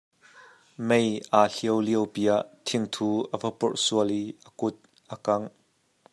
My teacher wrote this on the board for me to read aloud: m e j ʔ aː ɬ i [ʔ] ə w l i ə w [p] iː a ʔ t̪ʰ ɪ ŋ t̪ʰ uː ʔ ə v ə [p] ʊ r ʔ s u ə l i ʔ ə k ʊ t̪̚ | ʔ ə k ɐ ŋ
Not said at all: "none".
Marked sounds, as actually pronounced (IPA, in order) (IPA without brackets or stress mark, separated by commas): none, p, p